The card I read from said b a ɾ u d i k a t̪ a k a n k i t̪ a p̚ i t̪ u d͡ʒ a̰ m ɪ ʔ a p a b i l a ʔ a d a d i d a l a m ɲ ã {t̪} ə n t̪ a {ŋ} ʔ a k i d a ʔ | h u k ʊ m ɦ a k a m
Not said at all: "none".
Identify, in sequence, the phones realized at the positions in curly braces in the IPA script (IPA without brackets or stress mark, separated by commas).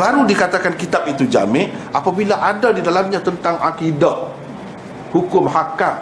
t̪, ŋ